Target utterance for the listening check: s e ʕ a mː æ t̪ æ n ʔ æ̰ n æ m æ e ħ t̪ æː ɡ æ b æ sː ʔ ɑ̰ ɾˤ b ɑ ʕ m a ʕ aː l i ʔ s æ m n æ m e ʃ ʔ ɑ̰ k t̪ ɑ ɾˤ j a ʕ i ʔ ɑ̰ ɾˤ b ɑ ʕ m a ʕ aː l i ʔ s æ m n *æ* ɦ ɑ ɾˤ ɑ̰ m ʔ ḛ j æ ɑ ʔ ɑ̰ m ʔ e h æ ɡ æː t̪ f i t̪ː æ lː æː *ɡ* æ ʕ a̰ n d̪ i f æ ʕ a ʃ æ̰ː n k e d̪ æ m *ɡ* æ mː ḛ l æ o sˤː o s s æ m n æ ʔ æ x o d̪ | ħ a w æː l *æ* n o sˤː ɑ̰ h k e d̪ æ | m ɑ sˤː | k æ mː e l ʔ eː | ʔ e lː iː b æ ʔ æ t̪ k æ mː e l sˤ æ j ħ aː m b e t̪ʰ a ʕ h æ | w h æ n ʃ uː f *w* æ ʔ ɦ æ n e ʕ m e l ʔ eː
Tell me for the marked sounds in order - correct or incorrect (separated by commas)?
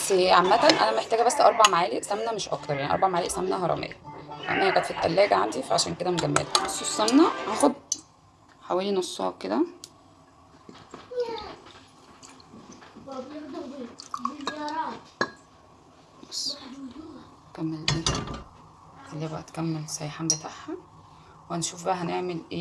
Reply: correct, correct, correct, incorrect, incorrect